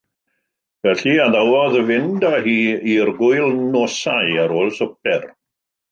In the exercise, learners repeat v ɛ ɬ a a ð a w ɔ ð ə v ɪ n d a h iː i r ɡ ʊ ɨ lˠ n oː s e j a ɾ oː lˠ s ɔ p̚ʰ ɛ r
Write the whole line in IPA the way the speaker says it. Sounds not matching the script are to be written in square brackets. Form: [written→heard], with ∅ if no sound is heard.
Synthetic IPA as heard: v ɛ ɬ [a→i] a ð a w ɔ ð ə v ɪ n d a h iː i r ɡ ʊ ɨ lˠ n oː s [e→a] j a ɾ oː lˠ s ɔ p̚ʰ ɛ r